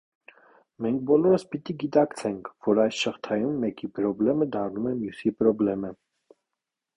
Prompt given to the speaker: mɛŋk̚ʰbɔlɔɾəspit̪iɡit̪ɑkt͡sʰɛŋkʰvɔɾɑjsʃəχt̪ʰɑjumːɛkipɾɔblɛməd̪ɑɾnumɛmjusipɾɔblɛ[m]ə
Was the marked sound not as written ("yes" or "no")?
no